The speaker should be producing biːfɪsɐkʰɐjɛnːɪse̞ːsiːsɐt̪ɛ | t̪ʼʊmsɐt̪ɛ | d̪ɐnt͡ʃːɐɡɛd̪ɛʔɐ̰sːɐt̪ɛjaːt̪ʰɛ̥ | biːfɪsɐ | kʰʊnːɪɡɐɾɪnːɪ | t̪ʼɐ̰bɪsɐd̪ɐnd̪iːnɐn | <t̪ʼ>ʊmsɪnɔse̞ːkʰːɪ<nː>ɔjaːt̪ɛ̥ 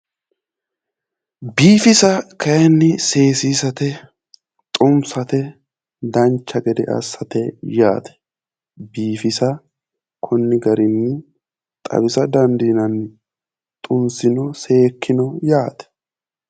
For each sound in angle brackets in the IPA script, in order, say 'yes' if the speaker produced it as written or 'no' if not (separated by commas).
yes, no